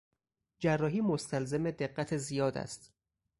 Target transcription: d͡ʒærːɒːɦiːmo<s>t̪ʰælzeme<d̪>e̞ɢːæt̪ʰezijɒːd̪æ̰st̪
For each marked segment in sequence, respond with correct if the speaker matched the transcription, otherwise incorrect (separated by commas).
correct, correct